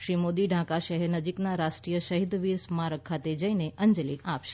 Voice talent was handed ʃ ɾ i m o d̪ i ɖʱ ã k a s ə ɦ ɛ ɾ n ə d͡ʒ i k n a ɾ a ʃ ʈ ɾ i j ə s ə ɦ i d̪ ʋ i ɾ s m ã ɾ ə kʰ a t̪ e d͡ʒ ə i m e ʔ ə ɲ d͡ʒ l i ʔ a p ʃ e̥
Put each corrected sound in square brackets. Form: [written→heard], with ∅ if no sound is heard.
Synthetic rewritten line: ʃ ɾ i m o d̪ i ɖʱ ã k a [s→ʃ] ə ɦ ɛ ɾ n ə d͡ʒ i k n a ɾ a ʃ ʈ ɾ i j ə [s→ʃ] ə ɦ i d̪ ʋ i ɾ s m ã ɾ ə kʰ a t̪ e d͡ʒ ə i [m→n] e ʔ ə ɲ d͡ʒ l i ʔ a p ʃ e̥

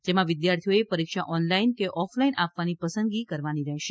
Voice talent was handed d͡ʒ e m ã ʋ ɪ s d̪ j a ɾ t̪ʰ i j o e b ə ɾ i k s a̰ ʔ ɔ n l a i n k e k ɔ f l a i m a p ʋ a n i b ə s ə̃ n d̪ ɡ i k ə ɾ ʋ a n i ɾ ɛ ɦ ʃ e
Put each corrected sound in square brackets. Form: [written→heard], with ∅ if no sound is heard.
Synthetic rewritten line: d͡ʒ e m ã ʋ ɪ [s→∅] d̪ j a ɾ t̪ʰ i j o e [b→p] ə ɾ i k [s→ʃ] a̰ ʔ ɔ n l a i n k e [k→ʔ] ɔ f l a i [m→n] a p ʋ a n i [b→p] ə s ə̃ n d̪ ɡ i k ə ɾ ʋ a n i ɾ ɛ ɦ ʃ e

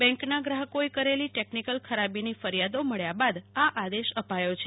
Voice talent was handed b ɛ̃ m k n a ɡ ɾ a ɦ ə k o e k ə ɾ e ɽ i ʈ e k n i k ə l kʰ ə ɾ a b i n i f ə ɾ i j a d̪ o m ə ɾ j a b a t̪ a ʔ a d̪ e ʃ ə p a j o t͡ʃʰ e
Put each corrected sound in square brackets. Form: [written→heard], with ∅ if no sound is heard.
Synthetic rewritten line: b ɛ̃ [m→ŋ] k n a ɡ ɾ a ɦ ə k o e k ə ɾ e [ɽ→l] i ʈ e k n i k ə l kʰ ə ɾ a b i n i f ə ɾ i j a d̪ o m ə [ɾ→ɭ] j a b a [t̪→d̪] a ʔ a d̪ e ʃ ə p a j o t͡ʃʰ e

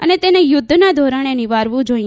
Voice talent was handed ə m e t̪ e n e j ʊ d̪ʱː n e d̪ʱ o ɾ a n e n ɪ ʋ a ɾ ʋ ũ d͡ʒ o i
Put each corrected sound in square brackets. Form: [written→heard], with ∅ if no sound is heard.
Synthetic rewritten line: ə [m→n] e t̪ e n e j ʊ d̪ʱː n [e→a] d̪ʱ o ɾ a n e n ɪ ʋ a ɾ ʋ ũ d͡ʒ o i

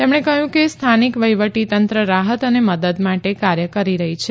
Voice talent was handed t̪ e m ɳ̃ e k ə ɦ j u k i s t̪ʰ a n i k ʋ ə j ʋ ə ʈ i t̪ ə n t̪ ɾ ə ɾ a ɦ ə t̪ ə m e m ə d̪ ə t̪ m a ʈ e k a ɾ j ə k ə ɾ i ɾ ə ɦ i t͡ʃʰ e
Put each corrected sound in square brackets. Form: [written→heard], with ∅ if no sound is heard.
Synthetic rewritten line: t̪ e m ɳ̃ e k ə ɦ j [u→ũ] k [i→e] s t̪ʰ a n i k ʋ ə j ʋ ə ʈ i t̪ ə n t̪ ɾ ə ɾ a ɦ ə t̪ ə [m→n] e m ə d̪ ə [t̪→d̪] m a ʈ e k a ɾ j ə k ə ɾ i ɾ ə ɦ i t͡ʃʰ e

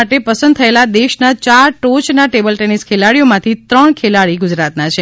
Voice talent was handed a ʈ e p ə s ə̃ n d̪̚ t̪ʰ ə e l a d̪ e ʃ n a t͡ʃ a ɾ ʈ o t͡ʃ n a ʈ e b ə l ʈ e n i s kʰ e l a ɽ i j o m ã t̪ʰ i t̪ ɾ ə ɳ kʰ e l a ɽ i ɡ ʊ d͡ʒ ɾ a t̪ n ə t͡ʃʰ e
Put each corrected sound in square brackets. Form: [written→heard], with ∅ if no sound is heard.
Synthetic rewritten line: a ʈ e p ə s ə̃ n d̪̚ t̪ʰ ə e l a d̪ e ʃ n a t͡ʃ a ɾ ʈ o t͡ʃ n a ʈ e b ə l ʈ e n i s kʰ e l a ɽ i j o m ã t̪ʰ i t̪ ɾ ə ɳ kʰ e l a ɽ i ɡ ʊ d͡ʒ ɾ a t̪ n [ə→a] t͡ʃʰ e

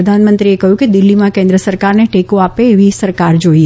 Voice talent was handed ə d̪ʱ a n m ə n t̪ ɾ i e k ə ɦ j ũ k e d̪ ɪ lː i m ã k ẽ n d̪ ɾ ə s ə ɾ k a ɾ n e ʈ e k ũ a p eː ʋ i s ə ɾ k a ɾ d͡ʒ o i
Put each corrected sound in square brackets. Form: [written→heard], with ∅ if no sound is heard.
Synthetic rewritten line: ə d̪ʱ a n m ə n t̪ ɾ i e k ə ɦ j ũ k e d̪ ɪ lː i m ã k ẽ n d̪ ɾ ə s ə ɾ k a ɾ n e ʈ e k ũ a p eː ʋ i s ə ɾ k a ɾ d͡ʒ o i

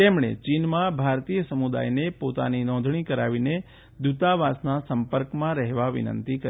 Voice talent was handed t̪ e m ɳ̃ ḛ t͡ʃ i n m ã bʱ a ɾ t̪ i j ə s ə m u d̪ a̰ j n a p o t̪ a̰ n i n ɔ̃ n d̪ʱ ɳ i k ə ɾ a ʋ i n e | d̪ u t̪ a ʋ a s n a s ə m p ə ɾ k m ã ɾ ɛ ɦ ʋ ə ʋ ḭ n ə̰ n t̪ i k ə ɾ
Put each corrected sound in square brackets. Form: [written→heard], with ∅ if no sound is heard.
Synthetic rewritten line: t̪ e m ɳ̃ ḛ t͡ʃ i n m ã bʱ a ɾ t̪ i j ə s ə m u d̪ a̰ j n [a→e] p o t̪ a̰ n i n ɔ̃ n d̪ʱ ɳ i k ə ɾ a ʋ i n e | d̪ u t̪ a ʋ a s n a s ə m p ə ɾ k m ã ɾ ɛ ɦ ʋ [ə→a] ʋ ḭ n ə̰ n t̪ i k ə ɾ

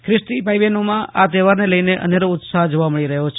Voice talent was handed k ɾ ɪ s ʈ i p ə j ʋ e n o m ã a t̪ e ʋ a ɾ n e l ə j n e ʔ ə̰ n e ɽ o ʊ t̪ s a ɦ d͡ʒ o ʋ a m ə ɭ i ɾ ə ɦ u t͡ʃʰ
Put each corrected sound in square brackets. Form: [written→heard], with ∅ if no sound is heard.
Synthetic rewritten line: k ɾ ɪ s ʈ i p [ə→a] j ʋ e n o m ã a t̪ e ʋ a ɾ n e l ə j n e ʔ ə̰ n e [ɽ→ɾ] o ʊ t̪ s a ɦ d͡ʒ o ʋ a m ə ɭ i ɾ ə ɦ [u→o] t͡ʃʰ

